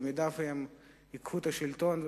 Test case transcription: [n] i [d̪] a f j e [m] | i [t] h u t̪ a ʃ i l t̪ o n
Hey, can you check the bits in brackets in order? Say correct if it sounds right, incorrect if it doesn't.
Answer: incorrect: m, correct, correct, incorrect: k

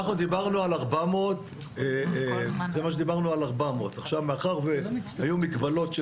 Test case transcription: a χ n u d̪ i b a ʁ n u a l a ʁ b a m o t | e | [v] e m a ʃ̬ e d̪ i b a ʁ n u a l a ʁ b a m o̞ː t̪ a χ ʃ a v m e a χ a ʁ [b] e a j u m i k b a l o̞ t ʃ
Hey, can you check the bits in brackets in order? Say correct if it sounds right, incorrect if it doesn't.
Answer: incorrect: z, incorrect: v

